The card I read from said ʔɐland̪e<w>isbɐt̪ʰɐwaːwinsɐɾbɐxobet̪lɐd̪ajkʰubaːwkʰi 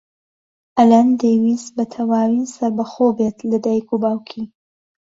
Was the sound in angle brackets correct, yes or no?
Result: yes